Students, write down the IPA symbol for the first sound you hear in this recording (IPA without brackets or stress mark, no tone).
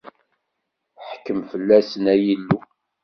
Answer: ħ